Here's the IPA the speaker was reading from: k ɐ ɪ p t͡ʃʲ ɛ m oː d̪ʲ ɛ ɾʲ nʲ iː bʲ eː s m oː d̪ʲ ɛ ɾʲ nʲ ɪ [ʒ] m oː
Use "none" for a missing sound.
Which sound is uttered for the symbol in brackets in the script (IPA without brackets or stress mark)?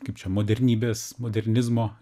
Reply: z